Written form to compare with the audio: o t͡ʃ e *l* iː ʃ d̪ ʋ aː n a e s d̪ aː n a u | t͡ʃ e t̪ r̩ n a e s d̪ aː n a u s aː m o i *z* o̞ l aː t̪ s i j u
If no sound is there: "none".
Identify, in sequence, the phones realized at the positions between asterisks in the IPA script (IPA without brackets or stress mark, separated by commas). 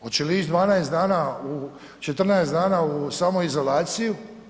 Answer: l, z